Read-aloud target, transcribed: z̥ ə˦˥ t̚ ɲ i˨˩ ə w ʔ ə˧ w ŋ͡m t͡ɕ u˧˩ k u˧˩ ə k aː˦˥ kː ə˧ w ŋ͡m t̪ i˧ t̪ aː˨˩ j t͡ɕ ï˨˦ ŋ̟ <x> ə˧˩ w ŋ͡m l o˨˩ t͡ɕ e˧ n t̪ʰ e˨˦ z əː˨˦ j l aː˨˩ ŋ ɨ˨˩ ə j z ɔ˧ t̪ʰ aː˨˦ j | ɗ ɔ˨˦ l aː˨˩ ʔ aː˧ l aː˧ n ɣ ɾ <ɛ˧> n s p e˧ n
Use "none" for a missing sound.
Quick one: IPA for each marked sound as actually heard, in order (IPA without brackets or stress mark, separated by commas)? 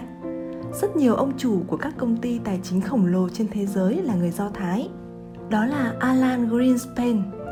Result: x, i˧